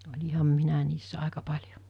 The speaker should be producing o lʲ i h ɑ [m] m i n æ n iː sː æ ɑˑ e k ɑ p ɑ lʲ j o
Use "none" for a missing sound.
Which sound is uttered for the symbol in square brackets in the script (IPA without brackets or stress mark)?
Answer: m